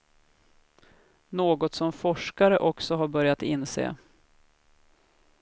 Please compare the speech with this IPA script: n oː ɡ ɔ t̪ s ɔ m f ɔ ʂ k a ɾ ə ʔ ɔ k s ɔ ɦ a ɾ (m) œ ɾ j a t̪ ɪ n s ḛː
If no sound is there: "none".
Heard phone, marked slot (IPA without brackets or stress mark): b